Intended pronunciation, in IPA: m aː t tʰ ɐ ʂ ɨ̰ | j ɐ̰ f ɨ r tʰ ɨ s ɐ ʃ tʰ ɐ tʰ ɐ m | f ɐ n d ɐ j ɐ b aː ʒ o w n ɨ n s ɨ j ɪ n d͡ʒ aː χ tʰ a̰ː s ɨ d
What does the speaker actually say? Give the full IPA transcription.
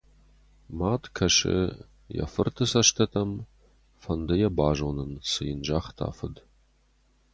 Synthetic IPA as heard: m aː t kʰ ɐ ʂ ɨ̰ | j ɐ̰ f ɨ r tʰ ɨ s ɐ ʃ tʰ ɐ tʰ ɐ m | f ɐ n d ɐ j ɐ b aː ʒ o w n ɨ n s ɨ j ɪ n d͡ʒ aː χ tʰ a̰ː f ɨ d